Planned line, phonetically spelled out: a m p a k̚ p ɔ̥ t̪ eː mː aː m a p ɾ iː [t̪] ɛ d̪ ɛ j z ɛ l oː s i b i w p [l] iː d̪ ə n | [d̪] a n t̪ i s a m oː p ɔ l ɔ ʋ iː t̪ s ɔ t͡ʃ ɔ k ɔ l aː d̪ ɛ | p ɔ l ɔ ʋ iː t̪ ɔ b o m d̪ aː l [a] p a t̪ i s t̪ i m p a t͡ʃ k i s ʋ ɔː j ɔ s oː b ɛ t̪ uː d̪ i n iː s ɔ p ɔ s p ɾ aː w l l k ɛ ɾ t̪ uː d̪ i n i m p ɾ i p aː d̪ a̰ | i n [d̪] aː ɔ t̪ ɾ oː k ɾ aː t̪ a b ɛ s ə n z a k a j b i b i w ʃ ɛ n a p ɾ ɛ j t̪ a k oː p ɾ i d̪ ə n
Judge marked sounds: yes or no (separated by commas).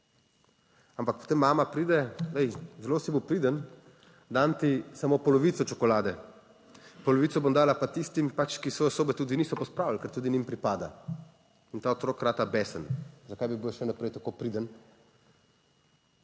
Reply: no, no, yes, yes, no